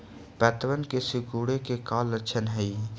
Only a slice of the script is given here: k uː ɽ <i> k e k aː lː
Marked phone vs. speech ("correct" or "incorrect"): incorrect